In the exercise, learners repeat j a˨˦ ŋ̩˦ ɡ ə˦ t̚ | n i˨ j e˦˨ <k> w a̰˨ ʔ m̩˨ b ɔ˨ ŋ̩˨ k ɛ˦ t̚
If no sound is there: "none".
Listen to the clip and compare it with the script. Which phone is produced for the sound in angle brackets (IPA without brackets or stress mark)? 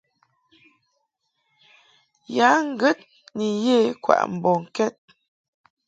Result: k